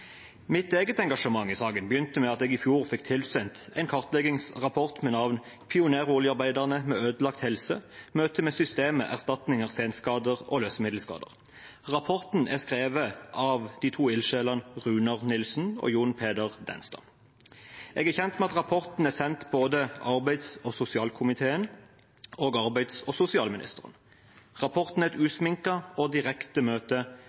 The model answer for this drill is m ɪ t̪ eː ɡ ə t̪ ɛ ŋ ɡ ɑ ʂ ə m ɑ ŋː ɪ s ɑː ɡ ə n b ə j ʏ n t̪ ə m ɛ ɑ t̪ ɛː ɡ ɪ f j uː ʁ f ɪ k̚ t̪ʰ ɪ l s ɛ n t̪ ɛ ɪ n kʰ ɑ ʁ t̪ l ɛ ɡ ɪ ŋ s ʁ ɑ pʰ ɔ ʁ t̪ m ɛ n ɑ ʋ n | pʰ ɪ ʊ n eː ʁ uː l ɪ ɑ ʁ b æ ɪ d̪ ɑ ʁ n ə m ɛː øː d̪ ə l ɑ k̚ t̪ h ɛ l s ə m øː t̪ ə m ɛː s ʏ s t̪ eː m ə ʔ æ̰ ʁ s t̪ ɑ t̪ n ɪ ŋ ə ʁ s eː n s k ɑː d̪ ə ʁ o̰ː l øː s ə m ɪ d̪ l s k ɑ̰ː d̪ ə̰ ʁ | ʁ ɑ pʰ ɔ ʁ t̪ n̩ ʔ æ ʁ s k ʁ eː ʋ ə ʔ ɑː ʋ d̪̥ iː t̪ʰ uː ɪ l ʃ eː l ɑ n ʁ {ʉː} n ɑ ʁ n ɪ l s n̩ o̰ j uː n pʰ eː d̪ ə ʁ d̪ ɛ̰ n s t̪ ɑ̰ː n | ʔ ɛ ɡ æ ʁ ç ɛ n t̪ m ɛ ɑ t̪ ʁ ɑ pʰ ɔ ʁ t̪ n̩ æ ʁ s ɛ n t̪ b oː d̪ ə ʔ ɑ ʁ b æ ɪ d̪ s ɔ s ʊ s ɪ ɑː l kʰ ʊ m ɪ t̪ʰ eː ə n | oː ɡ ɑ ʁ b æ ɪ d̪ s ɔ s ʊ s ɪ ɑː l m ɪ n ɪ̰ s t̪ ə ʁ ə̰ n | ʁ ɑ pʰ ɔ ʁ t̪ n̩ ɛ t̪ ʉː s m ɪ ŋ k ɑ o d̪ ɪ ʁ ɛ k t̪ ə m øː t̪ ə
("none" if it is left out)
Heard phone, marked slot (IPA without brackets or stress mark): ʉː